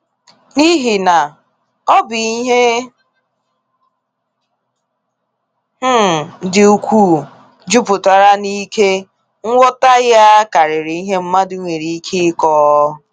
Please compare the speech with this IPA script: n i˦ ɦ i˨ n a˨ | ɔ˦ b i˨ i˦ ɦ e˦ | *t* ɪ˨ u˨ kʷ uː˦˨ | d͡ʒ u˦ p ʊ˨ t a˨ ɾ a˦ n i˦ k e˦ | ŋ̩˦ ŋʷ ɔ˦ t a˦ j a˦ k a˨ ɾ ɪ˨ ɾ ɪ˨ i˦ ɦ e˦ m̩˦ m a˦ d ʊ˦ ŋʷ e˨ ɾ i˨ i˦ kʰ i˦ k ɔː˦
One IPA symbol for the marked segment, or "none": d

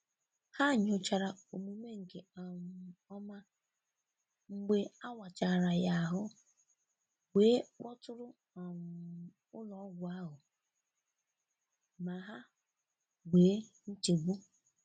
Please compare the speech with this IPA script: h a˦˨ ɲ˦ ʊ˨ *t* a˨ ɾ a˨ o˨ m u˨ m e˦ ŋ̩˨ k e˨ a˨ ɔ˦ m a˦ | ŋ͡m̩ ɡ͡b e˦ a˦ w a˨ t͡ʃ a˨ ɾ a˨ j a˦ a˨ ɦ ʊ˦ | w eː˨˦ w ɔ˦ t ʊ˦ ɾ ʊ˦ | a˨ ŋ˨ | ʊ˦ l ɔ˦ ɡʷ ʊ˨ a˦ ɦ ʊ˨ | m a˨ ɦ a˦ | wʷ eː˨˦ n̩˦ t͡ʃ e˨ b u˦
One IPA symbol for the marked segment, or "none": t͡ʃ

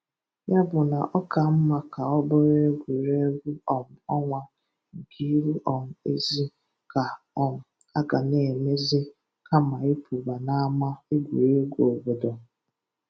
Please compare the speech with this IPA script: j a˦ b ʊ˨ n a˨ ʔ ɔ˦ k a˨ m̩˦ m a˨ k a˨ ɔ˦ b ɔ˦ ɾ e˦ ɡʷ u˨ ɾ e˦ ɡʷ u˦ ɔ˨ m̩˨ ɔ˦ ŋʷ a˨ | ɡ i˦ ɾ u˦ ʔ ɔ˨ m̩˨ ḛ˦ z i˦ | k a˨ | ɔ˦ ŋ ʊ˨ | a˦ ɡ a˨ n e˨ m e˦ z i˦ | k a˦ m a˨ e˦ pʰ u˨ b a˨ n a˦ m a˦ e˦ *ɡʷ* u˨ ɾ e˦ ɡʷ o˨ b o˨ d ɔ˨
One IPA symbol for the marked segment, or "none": ɡʷ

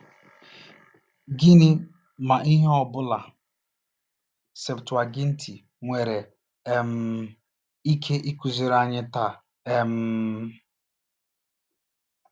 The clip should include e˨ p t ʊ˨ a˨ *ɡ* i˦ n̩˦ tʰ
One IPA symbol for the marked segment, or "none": ɡ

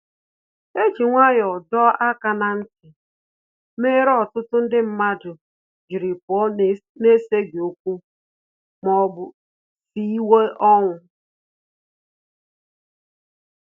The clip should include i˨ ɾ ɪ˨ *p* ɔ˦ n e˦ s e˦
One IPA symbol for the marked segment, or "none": p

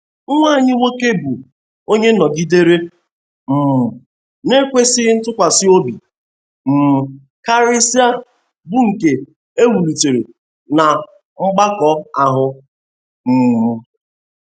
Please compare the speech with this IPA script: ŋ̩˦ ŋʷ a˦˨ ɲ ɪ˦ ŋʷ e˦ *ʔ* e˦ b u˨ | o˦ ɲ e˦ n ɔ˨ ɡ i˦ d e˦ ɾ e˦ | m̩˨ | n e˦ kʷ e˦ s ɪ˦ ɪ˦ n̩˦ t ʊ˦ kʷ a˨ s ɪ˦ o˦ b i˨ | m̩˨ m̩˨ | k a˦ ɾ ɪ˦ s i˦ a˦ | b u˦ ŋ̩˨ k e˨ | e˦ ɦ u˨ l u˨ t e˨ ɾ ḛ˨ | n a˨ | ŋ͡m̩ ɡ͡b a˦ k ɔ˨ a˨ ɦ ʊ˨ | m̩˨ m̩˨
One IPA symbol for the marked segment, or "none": k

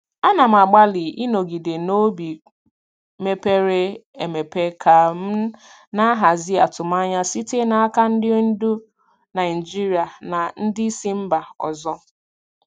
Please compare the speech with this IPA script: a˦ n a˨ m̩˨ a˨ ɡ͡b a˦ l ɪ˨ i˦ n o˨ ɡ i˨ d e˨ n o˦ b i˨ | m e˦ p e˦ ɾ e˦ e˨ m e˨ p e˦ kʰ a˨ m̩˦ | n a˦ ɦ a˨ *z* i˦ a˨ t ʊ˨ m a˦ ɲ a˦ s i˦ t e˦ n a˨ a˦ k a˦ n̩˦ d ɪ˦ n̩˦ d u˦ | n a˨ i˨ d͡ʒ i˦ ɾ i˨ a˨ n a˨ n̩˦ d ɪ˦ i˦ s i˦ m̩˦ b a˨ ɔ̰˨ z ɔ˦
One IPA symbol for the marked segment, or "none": z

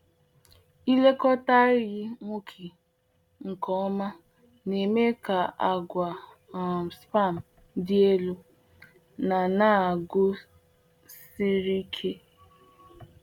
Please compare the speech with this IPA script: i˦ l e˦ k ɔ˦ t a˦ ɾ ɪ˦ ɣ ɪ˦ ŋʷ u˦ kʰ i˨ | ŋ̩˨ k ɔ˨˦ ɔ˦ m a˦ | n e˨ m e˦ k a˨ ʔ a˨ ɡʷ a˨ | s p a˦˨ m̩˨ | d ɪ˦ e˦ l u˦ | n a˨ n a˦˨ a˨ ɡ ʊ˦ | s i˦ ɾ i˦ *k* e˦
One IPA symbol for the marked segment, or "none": kʰ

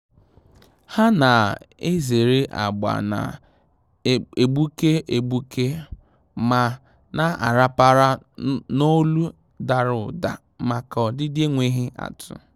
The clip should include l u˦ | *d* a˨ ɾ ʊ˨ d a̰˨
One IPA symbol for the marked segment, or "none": d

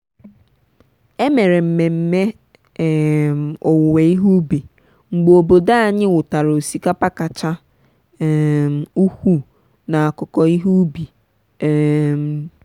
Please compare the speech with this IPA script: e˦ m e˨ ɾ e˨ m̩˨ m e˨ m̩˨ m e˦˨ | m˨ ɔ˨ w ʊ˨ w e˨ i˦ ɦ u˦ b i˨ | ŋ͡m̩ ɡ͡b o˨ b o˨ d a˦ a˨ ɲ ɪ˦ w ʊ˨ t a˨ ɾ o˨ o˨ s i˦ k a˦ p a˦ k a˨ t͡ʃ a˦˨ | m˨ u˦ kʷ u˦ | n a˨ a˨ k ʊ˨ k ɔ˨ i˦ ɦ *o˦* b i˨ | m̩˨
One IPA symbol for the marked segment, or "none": u˦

